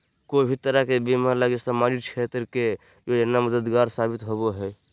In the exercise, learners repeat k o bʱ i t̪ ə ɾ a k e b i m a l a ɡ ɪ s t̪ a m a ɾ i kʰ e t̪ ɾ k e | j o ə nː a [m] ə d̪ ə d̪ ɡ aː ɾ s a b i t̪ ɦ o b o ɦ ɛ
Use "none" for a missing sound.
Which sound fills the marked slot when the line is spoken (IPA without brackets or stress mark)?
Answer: m